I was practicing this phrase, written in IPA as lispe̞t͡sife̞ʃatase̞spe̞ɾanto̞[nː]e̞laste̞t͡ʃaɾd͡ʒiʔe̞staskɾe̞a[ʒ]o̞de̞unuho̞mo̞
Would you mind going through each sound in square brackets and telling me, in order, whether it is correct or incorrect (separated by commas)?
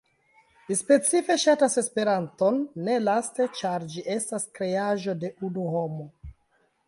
correct, correct